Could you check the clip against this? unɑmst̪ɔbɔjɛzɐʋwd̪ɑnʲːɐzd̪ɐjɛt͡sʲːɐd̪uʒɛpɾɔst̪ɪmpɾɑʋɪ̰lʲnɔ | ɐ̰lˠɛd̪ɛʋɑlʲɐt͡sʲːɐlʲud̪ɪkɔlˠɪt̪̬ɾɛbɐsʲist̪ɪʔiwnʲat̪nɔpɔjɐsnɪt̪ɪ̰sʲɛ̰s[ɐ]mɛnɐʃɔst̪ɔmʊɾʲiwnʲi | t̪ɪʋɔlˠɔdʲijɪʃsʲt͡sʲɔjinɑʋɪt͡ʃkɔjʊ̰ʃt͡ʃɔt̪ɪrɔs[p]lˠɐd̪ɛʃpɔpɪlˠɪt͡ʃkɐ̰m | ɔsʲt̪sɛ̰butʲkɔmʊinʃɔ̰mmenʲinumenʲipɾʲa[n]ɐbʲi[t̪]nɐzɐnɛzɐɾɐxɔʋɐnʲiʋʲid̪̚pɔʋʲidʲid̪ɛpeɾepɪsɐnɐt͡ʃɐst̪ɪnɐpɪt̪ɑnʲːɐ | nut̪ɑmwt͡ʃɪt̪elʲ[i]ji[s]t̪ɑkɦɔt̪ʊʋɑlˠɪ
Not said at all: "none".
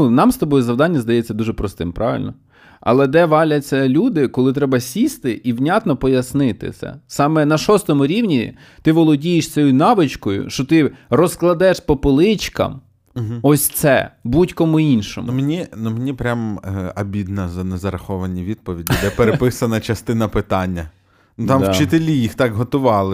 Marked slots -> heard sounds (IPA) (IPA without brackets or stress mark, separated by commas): ɑ, k, m, d̪, i, x